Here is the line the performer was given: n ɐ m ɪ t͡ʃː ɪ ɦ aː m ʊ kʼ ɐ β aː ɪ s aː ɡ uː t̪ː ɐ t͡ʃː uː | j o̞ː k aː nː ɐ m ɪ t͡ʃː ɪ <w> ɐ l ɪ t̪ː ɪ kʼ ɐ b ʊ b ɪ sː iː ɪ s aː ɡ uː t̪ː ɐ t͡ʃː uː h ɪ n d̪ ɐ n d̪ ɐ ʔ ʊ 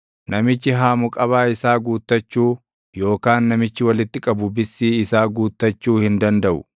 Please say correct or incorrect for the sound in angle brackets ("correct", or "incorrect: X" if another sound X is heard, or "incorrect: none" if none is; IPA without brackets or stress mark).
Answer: correct